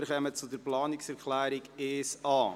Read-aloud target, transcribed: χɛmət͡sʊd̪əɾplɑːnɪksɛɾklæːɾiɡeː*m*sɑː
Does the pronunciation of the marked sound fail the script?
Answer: yes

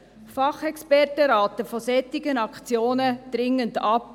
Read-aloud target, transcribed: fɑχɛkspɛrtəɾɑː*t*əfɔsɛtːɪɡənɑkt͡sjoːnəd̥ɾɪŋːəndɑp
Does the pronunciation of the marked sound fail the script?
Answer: no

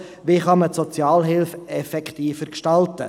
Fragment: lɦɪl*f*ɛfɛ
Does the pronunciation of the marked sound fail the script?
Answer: no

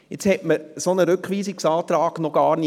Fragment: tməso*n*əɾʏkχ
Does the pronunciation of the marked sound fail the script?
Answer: no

